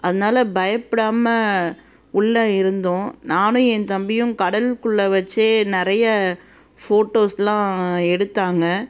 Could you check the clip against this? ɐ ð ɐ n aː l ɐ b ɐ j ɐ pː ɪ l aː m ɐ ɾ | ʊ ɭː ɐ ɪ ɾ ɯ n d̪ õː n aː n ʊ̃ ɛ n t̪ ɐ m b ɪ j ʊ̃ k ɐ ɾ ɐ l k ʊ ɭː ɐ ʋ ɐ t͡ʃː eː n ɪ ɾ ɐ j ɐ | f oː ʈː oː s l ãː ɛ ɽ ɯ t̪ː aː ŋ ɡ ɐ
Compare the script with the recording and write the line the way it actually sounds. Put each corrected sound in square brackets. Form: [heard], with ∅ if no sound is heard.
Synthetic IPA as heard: ɐ ð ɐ n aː l ɐ b ɐ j ɐ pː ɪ [ɽ] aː m ɐ [∅] | ʊ ɭː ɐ ɪ ɾ ɯ n d̪ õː n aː n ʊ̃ ɛ n t̪ ɐ m b ɪ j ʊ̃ k ɐ [ɽ] ɐ l k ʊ ɭː ɐ ʋ ɐ t͡ʃː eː n ɪ ɾ ɐ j ɐ | f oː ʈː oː s l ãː ɛ ɽ ɯ t̪ː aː ŋ ɡ ɐ